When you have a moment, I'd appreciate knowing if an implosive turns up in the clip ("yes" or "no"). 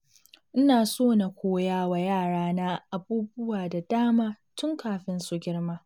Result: no